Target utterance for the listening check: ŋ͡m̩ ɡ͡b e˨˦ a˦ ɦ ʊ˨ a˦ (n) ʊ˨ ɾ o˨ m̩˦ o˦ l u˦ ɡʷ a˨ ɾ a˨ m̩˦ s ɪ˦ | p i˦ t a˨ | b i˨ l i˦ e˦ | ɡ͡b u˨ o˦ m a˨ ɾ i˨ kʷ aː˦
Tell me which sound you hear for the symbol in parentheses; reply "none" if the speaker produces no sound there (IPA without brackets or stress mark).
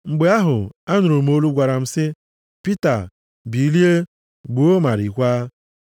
n